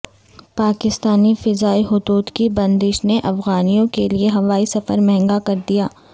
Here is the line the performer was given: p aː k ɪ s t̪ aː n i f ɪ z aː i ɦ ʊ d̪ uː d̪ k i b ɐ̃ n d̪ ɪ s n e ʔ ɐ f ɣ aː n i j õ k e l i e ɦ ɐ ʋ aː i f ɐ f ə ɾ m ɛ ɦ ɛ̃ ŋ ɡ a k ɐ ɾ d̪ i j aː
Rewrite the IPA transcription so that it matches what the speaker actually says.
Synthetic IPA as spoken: p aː k ɪ s t̪ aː n i f ɪ z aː i ɦ ʊ d̪ uː d̪ k i b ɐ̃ n d̪ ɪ ʃ n e ʔ ɐ f ɣ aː n i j õ k e l i e ɦ ɐ ʋ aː i s ɐ f ə ɾ m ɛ ɦ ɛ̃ ŋ ɡ a k ɐ ɾ d̪ i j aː

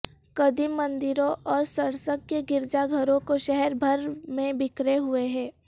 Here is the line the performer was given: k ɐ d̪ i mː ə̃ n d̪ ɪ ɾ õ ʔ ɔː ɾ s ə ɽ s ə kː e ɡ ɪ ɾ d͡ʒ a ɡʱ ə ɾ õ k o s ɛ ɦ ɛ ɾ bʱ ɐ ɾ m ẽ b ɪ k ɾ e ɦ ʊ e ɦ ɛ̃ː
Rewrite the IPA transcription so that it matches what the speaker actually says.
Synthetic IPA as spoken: k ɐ d̪ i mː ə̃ n d̪ ɪ ɾ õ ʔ ɔː ɾ s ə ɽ s ə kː e ɡ ɪ ɾ d͡ʒ a ɡʱ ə ɾ õ k o ʃ ɛ ɦ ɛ ɾ bʱ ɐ ɾ m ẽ b ɪ k ɾ e ɦ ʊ e ɦ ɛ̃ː

